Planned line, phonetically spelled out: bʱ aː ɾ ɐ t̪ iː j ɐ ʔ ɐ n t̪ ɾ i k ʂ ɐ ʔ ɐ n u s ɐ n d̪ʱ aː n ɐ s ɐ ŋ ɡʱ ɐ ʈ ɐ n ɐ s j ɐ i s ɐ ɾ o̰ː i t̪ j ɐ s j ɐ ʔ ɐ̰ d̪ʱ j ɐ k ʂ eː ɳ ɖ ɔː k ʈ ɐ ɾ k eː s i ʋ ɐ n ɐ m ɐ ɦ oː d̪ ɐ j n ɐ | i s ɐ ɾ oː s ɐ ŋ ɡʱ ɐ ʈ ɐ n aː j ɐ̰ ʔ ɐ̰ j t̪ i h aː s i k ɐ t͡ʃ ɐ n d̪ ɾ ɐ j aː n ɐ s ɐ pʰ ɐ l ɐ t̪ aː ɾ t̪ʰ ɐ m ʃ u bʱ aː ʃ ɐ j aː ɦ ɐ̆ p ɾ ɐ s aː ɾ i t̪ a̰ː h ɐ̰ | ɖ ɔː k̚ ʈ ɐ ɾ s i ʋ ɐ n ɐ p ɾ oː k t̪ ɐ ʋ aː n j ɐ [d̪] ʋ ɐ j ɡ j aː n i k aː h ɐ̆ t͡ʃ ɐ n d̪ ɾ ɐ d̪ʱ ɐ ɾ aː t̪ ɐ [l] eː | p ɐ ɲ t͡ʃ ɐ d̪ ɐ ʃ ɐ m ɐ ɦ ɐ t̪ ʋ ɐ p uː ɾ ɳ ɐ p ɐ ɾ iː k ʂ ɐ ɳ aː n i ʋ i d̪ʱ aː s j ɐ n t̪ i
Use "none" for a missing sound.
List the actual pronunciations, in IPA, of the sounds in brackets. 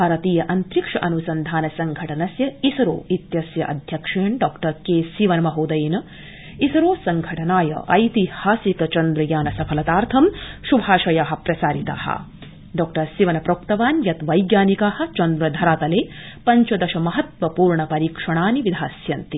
t̪, l

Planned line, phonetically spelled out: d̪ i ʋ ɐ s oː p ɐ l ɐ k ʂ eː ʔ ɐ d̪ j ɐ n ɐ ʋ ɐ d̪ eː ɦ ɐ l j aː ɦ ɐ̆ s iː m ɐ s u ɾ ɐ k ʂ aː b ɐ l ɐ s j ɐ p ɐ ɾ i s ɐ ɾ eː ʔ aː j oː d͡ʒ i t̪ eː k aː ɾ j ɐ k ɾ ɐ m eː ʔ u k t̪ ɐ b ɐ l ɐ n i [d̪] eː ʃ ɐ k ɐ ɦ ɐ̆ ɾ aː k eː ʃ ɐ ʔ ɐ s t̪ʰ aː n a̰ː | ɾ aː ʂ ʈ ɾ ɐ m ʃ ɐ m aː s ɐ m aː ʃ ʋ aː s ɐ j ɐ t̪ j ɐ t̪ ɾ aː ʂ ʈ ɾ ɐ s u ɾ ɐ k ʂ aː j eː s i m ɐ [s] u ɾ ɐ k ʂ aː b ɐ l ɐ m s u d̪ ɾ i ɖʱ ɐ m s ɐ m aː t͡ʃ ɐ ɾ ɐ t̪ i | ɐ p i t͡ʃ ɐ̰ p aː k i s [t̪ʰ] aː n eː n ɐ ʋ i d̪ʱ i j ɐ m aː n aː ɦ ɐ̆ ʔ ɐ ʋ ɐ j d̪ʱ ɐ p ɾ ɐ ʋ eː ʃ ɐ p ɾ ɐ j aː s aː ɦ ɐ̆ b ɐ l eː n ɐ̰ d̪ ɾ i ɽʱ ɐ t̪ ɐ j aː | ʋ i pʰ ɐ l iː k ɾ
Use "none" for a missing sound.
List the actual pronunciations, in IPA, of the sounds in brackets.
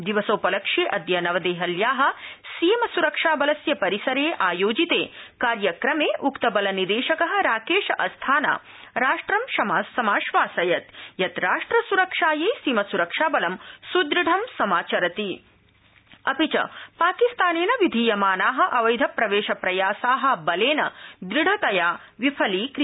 d̪, s, t̪

